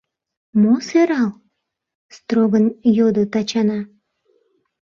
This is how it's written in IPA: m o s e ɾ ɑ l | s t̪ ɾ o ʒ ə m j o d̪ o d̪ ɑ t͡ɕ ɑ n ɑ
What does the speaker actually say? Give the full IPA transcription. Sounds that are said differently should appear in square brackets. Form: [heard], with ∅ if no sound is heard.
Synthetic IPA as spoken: m o s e ɾ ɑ l | s t̪ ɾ o [ɣ] ə [n] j o d̪ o [t̪] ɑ t͡ɕ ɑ n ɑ

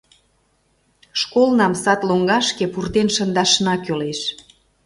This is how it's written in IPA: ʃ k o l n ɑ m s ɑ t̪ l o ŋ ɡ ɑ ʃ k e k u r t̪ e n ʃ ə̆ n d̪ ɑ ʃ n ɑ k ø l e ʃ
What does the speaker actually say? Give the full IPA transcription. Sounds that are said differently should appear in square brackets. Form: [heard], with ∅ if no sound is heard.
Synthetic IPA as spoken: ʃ k o l n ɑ m s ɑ t̪ l o ŋ ɡ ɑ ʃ k e [p] u r t̪ e n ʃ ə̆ n d̪ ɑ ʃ n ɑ k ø l e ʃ

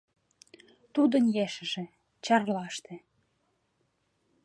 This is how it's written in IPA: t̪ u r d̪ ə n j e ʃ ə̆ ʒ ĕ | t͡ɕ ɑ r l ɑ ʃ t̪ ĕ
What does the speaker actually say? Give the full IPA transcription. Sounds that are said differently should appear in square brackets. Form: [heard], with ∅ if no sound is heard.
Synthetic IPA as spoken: t̪ u [∅] d̪ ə n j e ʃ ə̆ ʒ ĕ | t͡ɕ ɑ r l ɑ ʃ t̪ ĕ

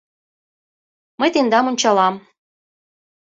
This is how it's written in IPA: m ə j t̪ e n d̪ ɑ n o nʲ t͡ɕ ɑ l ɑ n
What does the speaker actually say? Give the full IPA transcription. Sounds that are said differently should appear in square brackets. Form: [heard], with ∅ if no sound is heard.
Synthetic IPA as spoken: m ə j t̪ e n d̪ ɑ [m] o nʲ t͡ɕ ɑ l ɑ [m]

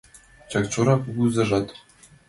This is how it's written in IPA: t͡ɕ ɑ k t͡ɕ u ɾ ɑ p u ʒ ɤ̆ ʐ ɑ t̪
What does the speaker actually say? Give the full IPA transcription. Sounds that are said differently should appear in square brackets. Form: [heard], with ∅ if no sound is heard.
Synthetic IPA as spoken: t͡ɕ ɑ k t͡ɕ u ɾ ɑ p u [z] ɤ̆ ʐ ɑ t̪

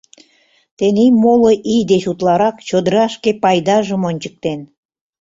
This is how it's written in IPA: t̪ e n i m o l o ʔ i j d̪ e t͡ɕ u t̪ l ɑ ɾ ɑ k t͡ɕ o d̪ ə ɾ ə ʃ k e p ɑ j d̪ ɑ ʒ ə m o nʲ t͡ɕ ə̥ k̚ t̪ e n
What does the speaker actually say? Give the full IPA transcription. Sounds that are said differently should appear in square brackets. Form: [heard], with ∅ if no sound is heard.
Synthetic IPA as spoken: t̪ e n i m o l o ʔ i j d̪ e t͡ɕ u t̪ l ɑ ɾ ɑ k t͡ɕ o d̪ ə ɾ [ɑ] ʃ k e p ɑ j d̪ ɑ ʒ ə m o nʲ t͡ɕ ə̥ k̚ t̪ e n

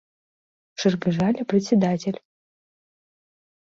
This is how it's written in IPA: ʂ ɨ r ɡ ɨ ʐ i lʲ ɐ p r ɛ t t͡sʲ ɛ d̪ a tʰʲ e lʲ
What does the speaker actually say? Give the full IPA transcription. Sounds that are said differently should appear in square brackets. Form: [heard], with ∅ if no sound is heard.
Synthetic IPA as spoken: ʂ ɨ r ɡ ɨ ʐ [a] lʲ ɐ p r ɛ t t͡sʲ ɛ d̪ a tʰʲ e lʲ

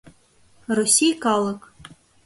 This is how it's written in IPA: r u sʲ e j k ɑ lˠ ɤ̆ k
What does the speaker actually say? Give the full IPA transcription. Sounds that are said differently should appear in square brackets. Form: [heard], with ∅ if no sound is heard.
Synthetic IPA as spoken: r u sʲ [i] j k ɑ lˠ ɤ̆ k

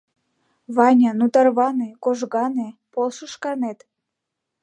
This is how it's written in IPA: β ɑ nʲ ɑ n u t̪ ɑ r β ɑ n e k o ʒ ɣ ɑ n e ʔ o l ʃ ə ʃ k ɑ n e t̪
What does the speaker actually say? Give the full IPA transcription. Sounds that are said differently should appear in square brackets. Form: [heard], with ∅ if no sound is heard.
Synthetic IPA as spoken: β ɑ nʲ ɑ n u t̪ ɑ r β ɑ n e k o ʒ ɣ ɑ n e [p] o l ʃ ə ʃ k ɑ n e t̪

